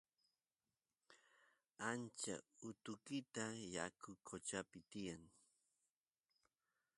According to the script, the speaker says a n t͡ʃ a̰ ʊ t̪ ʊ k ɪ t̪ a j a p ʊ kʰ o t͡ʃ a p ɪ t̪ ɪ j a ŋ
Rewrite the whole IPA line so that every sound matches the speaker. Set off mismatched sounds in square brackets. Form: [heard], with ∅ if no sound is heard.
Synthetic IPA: a n t͡ʃ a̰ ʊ t̪ ʊ k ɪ t̪ a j a [k] ʊ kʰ o t͡ʃ a p ɪ t̪ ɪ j a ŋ